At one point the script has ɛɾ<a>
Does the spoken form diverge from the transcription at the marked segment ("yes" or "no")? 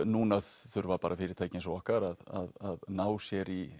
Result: yes